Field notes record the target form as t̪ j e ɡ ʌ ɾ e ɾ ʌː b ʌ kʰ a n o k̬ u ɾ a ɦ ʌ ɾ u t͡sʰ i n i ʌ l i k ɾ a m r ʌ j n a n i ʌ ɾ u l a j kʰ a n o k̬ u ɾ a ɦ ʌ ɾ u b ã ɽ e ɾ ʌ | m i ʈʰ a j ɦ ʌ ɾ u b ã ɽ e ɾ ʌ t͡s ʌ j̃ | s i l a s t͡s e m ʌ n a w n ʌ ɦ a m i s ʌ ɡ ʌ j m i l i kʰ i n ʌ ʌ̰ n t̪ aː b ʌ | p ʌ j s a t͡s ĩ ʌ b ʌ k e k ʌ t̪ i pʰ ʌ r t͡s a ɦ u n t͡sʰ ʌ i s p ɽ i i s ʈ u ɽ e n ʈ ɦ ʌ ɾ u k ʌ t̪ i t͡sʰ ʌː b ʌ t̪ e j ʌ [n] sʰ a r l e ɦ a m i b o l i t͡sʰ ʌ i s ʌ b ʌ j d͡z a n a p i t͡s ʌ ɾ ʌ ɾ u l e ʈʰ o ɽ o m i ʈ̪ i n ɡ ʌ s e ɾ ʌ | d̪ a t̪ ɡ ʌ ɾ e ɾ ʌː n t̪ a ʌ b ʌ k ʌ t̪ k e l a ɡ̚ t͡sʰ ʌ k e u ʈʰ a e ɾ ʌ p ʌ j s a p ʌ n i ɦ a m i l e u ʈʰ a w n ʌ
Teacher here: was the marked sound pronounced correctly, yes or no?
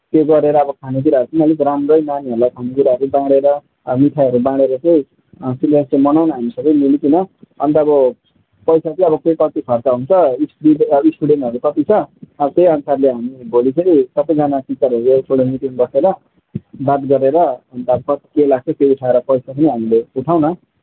yes